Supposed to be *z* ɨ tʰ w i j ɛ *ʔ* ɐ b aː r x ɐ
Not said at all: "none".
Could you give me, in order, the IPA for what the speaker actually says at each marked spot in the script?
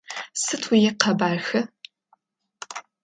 s, q

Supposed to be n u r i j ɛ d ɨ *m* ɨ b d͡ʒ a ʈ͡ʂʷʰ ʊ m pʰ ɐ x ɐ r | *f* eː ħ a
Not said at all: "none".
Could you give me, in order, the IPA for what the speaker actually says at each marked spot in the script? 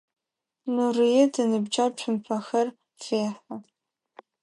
n, f

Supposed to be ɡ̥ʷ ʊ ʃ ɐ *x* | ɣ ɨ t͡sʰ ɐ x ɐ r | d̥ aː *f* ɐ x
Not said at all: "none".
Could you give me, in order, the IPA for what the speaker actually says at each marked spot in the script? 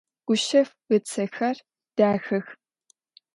f, x

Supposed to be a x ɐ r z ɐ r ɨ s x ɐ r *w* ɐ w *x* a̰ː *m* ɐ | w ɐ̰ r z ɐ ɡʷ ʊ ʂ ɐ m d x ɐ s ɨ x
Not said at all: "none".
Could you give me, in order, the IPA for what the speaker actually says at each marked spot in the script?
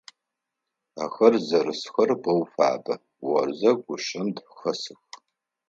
b, f, b

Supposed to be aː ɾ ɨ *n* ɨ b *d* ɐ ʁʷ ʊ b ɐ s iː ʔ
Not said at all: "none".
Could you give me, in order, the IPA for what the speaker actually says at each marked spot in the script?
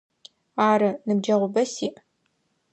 n, d͡ʒ

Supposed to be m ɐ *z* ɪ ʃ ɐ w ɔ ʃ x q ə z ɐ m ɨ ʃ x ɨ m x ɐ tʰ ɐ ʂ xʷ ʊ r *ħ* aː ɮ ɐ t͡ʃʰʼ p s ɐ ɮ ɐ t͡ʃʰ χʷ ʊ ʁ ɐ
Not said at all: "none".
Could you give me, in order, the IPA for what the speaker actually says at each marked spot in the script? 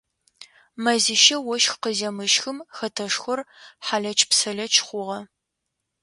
z, ħ

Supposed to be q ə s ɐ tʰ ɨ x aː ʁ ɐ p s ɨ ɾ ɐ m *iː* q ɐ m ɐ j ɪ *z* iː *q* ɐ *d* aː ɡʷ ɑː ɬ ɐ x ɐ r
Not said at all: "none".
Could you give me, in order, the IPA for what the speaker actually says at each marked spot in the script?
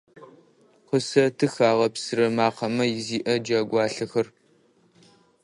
aː, z, ʔ, d͡ʒ

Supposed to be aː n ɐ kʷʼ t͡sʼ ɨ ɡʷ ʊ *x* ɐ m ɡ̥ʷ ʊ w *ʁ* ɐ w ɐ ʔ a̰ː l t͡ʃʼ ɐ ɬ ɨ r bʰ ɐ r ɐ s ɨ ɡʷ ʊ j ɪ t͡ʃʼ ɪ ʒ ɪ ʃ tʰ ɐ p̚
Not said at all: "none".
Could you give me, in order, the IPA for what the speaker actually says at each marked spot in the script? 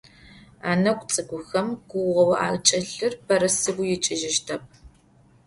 x, ʁ

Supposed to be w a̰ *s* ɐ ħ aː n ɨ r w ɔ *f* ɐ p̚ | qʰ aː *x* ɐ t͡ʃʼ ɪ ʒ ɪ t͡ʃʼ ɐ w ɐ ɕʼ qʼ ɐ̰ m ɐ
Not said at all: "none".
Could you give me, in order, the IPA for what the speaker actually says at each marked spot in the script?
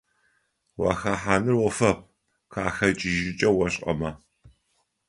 x, f, x

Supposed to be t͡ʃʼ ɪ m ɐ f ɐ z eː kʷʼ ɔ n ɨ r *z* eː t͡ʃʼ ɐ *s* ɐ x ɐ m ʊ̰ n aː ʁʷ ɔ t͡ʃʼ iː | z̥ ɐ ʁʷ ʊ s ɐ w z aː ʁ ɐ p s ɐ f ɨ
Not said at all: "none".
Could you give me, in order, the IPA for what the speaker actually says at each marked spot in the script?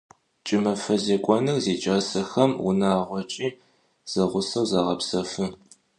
z, s

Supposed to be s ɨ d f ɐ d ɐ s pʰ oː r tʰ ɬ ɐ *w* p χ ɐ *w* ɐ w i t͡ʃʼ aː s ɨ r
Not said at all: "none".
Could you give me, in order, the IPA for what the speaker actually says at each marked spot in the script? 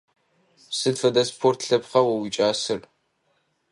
none, w

